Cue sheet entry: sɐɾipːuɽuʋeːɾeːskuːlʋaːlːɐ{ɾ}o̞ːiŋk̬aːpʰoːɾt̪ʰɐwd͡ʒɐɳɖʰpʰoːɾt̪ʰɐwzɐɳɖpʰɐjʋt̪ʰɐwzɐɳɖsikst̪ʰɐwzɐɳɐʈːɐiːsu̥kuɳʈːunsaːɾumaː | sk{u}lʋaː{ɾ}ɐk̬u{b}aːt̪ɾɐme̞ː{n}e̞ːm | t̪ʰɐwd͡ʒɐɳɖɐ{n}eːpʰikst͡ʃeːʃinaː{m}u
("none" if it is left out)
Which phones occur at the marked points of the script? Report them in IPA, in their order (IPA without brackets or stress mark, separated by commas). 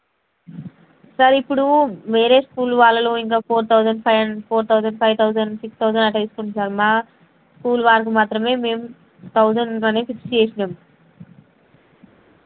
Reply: l, uː, ɾ, m, m, n, m